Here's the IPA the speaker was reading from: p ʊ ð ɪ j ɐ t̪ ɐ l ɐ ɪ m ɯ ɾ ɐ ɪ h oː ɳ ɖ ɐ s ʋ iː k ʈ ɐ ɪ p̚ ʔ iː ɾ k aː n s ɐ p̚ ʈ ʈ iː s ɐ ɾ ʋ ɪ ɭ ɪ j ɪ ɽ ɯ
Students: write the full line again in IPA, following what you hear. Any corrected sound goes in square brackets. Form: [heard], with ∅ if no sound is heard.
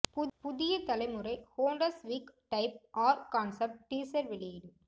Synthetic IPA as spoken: p ʊ ð ɪ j ɐ t̪ ɐ l ɐ ɪ m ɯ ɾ ɐ ɪ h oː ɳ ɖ ɐ s ʋ iː k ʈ ɐ ɪ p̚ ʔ [aː] ɾ k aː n s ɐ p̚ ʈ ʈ iː s ɐ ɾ ʋ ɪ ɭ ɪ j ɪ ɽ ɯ

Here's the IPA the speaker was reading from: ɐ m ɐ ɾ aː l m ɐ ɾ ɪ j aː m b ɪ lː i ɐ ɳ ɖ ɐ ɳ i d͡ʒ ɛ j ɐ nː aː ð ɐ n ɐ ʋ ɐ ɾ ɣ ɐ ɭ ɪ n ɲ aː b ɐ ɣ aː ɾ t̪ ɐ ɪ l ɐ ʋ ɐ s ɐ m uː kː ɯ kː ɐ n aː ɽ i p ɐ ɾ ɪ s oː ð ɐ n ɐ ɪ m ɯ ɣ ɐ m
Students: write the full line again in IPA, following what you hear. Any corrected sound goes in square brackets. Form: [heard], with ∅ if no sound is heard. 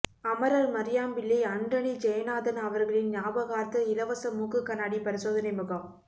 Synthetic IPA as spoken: ɐ m ɐ ɾ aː l m ɐ ɾ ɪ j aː m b ɪ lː i ɐ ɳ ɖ ɐ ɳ i d͡ʒ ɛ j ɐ [n] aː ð ɐ n ɐ ʋ ɐ ɾ ɣ ɐ ɭ ɪ n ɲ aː b ɐ ɣ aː ɾ t̪ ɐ ɪ l ɐ ʋ ɐ s ɐ m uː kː ɯ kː ɐ n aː ɽ i p ɐ ɾ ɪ s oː ð ɐ n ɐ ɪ m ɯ ɣ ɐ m

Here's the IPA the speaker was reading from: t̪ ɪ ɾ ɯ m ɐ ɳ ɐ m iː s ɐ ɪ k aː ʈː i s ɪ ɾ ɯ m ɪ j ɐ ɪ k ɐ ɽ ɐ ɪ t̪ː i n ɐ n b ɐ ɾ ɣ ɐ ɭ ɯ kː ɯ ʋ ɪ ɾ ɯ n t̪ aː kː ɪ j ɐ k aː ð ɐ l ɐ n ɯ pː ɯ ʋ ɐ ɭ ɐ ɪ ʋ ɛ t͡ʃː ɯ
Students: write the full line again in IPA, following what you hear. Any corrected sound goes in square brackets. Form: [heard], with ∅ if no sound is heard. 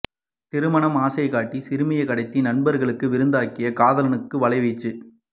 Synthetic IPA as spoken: t̪ ɪ ɾ ɯ m ɐ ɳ ɐ m [aː] s ɐ ɪ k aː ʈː i s ɪ ɾ ɯ m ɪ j ɐ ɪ k ɐ ɽ ɐ ɪ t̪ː i n ɐ n b ɐ ɾ ɣ ɐ ɭ ɯ kː ɯ ʋ ɪ ɾ ɯ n [d̪] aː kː ɪ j ɐ k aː ð ɐ l ɐ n ɯ [kː] ɯ ʋ ɐ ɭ ɐ ɪ ʋ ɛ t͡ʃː ɯ

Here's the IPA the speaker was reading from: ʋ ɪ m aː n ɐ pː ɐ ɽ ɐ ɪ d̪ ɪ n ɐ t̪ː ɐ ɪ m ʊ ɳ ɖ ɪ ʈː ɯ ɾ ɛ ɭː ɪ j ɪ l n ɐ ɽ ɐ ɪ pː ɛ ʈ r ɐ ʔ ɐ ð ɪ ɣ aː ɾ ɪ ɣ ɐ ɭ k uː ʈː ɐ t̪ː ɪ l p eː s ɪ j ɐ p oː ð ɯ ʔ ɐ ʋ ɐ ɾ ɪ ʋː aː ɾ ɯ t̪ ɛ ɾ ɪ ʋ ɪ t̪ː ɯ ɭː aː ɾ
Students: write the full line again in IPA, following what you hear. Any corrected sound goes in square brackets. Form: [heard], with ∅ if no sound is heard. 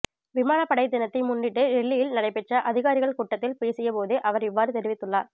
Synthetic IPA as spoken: ʋ ɪ m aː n ɐ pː ɐ ɽ ɐ ɪ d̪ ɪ n ɐ t̪ː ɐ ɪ m ʊ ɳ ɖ ɪ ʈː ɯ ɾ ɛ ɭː ɪ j ɪ l n ɐ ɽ ɐ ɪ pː ɛ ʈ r ɐ ʔ ɐ ð ɪ ɣ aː ɾ ɪ ɣ ɐ ɭ k uː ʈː ɐ t̪ː ɪ l p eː s ɪ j ɐ p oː ð ɯ ʔ ɐ ʋ ɐ ɾ ɪ ʋː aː ɾ ɯ t̪ ɛ ɾ ɪ ʋ ɪ t̪ː ɯ ɭː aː ɾ

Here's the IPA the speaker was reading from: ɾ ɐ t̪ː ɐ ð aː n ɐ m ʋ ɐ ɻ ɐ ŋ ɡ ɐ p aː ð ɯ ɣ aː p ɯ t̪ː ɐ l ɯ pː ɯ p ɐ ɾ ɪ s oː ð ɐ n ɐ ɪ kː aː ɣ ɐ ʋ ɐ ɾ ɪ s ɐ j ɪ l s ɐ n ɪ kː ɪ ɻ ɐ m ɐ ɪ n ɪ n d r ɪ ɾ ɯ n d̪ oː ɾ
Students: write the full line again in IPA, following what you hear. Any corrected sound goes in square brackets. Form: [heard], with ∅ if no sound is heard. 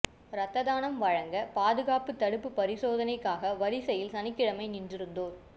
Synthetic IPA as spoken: ɾ ɐ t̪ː ɐ ð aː n ɐ m ʋ ɐ ɻ ɐ ŋ ɡ ɐ p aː ð ɯ ɣ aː p ɯ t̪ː ɐ [ɽ] ɯ pː ɯ p ɐ ɾ ɪ s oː ð ɐ n ɐ ɪ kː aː ɣ ɐ ʋ ɐ ɾ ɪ s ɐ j ɪ l s ɐ n ɪ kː ɪ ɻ ɐ m ɐ ɪ n ɪ n d r ɪ ɾ ɯ n d̪ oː ɾ

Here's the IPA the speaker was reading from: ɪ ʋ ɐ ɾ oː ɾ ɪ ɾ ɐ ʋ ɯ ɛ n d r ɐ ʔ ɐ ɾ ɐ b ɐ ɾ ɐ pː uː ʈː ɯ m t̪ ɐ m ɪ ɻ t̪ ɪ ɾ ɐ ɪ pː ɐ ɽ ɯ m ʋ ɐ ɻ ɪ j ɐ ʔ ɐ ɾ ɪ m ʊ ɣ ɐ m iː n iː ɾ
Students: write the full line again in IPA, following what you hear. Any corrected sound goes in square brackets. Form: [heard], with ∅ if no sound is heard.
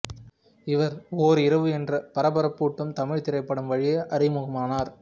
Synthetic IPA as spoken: ɪ ʋ ɐ ɾ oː ɾ ɪ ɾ ɐ ʋ ɯ ɛ n d r ɐ [p] ɐ ɾ ɐ b ɐ ɾ ɐ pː uː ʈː ɯ m t̪ ɐ m ɪ ɻ t̪ ɪ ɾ ɐ ɪ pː ɐ ɽ ɯ m ʋ ɐ ɻ ɪ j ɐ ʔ ɐ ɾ ɪ m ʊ ɣ ɐ m [aː] n [aː] ɾ

